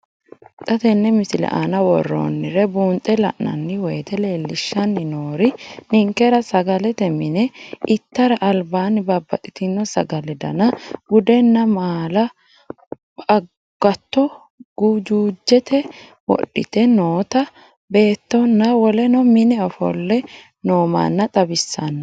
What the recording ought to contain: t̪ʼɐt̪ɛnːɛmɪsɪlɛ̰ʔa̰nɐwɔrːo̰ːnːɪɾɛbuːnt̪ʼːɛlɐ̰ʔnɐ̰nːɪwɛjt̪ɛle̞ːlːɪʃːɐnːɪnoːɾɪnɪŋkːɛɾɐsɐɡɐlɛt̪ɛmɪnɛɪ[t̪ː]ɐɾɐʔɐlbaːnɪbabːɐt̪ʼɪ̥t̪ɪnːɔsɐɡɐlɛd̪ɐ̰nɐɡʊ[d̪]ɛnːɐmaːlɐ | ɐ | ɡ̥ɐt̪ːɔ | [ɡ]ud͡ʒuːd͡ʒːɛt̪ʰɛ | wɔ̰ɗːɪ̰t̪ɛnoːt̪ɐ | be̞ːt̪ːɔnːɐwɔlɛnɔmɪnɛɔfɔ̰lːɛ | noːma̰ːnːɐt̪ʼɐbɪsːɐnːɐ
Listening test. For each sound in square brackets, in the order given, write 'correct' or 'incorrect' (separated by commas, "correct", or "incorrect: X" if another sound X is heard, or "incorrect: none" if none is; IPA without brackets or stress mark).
correct, correct, correct